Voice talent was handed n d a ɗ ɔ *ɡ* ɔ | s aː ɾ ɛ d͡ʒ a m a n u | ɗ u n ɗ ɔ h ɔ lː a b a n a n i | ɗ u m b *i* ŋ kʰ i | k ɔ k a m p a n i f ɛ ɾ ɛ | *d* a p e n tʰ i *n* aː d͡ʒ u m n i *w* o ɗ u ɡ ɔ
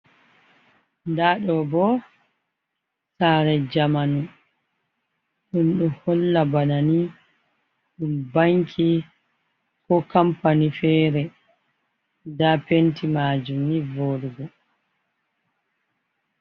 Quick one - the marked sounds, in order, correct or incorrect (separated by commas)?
incorrect, incorrect, correct, incorrect, incorrect